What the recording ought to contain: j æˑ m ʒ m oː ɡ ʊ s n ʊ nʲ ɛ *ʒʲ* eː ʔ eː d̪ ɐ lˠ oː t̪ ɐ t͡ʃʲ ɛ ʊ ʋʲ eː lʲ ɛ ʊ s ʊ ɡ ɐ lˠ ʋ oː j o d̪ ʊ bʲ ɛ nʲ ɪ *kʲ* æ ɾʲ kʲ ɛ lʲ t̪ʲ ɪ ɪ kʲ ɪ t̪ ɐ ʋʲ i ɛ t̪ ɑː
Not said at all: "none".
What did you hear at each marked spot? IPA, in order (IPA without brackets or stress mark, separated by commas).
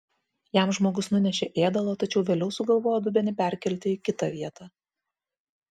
ʃʲ, pʲ